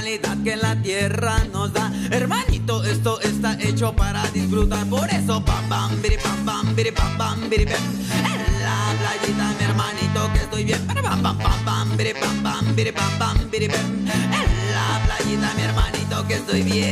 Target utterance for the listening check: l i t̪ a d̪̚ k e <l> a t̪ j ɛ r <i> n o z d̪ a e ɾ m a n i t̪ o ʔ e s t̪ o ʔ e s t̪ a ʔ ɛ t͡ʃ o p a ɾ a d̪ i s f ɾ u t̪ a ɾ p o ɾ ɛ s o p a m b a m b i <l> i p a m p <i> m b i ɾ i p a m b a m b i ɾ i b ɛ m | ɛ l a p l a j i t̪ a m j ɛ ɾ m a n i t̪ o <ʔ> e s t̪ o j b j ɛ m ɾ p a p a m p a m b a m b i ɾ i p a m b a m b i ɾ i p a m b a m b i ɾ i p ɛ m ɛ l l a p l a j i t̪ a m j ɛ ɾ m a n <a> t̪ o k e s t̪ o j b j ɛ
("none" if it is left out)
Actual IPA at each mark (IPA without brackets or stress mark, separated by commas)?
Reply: l, a, ɾ, a, k, i